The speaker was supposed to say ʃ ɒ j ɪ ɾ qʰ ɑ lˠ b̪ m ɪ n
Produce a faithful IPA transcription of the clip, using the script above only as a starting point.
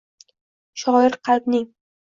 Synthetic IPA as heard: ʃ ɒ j ɪ ɾ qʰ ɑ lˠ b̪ n ɪ ŋ